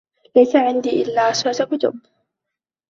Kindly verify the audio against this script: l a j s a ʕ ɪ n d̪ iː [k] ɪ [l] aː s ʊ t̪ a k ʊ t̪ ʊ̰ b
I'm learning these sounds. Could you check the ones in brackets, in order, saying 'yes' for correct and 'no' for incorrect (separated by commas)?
no, no